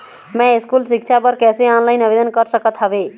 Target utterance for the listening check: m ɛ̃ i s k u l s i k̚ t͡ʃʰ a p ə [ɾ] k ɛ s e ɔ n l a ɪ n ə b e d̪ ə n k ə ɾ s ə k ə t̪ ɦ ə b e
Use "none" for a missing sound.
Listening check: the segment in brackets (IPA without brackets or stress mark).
ɾ